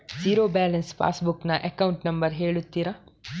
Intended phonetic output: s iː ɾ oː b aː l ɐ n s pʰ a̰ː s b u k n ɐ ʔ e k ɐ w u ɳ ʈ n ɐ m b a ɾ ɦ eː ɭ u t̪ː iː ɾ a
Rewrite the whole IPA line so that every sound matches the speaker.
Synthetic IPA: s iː ɾ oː b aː l ɐ n s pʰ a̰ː s b u k n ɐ ʔ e k ɐ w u ɳ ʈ n ɐ m b ɐ ɾ ɦ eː ɭ u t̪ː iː ɾ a